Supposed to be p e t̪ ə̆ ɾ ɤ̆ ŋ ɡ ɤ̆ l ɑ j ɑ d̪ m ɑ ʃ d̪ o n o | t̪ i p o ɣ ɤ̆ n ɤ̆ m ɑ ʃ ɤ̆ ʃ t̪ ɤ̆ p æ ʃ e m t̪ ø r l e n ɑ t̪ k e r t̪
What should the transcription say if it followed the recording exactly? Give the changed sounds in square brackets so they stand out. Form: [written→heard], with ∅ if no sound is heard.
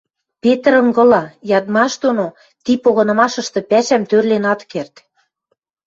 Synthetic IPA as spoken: p e t̪ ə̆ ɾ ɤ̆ ŋ ɡ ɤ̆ l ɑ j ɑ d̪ m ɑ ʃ d̪ o n o | t̪ i p o ɣ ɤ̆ n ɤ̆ m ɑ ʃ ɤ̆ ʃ t̪ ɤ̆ p æ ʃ [e→æ] m t̪ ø r l e n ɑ t̪ k e r t̪